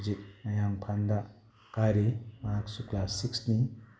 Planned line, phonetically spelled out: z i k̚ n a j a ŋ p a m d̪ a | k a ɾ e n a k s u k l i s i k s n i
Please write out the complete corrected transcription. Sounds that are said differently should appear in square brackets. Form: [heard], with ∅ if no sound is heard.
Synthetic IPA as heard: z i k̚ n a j a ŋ [pʰ] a [n] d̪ a | k a ɾ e [m] a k s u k l [a] s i k s n i